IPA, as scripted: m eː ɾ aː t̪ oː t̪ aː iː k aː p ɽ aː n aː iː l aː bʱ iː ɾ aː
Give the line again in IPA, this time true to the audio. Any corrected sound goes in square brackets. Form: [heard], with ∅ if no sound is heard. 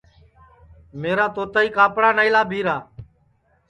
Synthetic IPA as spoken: m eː ɾ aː t̪ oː t̪ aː iː k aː p ɽ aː n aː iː l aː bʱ iː ɾ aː